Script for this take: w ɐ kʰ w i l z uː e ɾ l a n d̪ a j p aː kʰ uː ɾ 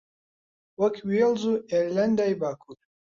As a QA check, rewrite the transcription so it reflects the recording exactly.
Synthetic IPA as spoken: w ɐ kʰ w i l z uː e ɾ l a n d̪ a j b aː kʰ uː ɾ